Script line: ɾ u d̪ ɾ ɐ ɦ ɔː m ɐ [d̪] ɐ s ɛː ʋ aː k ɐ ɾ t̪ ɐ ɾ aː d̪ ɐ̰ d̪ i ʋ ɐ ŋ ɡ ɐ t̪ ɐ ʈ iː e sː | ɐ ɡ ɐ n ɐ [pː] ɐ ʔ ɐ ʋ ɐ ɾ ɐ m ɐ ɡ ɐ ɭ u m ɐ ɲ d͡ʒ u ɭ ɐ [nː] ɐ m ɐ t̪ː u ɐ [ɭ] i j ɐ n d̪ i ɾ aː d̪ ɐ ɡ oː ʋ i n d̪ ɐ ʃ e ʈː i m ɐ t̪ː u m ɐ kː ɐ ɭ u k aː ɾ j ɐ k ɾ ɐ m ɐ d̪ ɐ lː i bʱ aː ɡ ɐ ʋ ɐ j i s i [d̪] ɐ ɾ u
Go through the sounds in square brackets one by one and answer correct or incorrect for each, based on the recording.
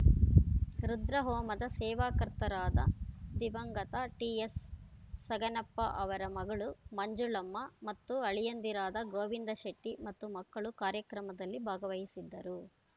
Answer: correct, correct, incorrect: mː, correct, incorrect: d̪ː

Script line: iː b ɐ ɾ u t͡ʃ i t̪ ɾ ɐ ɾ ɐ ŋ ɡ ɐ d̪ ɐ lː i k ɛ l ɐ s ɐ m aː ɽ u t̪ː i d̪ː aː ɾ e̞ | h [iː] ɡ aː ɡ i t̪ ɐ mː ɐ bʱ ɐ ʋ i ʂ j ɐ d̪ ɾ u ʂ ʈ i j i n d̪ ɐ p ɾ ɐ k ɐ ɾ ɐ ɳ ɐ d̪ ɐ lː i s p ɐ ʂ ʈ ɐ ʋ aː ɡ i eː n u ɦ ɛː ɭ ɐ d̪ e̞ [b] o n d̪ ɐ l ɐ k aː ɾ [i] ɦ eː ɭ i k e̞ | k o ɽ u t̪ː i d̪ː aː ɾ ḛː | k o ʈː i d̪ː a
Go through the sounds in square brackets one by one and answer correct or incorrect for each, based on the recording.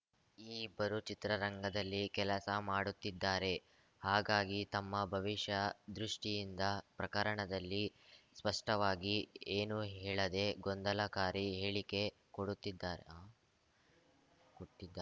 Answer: incorrect: aː, incorrect: ɡ, correct

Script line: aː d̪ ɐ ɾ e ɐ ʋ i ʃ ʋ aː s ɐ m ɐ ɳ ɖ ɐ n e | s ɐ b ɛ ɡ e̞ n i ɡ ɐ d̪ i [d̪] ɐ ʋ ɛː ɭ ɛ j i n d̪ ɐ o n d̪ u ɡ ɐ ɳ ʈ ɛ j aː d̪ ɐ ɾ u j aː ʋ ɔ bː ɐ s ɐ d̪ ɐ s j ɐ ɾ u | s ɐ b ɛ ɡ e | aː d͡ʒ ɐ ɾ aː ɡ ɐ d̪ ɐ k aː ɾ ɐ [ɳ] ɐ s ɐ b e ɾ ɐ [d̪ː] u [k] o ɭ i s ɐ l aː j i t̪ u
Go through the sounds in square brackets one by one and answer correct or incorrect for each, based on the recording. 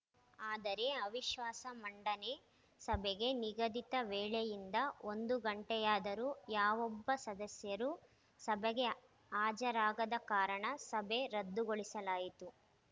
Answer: incorrect: t̪, correct, correct, incorrect: ɡ

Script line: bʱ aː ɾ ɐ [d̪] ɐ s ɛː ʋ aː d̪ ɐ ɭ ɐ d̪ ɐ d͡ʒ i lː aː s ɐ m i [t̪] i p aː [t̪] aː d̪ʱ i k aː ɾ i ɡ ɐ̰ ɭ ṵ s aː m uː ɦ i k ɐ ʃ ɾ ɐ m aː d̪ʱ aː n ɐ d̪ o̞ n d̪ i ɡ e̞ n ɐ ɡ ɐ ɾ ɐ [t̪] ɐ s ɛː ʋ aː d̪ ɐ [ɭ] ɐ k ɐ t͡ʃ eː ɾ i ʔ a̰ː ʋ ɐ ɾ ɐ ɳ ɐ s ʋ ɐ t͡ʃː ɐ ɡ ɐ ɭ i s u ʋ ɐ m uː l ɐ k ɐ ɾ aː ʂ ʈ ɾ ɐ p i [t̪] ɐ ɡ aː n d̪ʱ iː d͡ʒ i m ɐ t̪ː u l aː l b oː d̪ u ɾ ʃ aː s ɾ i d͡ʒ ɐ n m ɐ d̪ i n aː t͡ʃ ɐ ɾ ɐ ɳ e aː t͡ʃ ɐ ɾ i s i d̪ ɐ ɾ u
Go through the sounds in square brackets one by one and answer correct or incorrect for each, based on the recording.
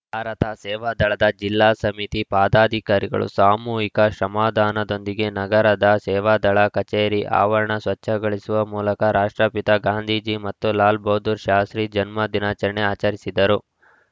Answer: incorrect: t̪, correct, incorrect: d̪, incorrect: d̪, correct, correct

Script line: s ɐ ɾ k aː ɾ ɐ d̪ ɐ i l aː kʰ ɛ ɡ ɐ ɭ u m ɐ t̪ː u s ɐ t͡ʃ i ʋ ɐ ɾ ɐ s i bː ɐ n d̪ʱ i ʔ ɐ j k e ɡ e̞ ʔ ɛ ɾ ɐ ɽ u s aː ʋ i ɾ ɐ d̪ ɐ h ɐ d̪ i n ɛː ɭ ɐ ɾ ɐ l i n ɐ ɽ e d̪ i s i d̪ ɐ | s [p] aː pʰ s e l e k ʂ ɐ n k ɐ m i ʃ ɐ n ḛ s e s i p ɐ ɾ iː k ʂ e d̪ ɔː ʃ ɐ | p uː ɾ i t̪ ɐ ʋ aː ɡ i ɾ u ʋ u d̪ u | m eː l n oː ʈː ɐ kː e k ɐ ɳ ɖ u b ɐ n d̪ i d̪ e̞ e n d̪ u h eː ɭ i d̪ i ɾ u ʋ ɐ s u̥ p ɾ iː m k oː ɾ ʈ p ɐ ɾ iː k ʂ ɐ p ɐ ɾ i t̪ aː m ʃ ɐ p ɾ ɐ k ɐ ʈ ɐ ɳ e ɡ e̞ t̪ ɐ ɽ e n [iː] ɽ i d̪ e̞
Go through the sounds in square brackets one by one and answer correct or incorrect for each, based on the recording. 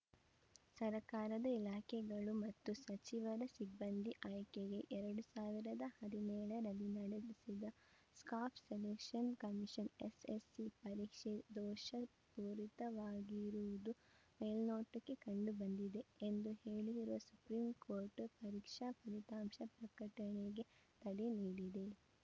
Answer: incorrect: k, correct

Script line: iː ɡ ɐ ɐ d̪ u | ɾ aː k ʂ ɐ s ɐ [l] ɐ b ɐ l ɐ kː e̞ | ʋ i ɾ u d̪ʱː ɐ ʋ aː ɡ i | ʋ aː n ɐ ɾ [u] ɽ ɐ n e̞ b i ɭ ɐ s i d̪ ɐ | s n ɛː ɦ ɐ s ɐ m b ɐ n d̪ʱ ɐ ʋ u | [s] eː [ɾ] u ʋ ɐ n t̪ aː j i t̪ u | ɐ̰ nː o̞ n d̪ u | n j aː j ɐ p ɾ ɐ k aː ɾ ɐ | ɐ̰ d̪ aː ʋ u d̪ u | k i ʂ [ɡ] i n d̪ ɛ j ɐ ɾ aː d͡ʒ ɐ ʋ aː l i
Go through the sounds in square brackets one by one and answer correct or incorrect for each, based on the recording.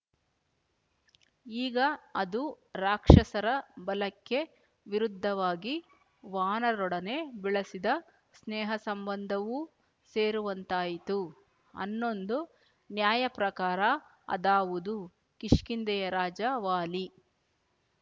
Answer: incorrect: ɾ, incorrect: ɔ, correct, correct, incorrect: k

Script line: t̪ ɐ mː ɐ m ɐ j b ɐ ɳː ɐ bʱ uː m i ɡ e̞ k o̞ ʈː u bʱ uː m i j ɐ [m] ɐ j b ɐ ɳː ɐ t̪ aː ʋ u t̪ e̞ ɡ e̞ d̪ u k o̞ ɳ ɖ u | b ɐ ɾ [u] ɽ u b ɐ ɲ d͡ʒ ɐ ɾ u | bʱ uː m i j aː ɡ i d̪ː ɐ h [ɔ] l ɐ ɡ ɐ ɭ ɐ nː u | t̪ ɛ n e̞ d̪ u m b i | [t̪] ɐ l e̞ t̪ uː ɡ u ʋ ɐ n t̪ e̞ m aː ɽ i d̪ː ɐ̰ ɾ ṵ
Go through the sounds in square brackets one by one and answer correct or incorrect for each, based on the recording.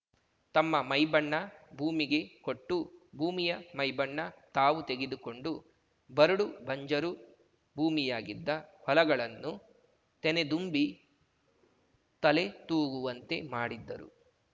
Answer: correct, correct, correct, correct

